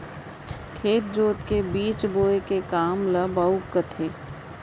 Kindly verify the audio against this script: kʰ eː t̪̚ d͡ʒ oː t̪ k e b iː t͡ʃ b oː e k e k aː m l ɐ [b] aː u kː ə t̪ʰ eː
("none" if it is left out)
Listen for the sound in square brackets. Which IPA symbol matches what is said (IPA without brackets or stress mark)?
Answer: b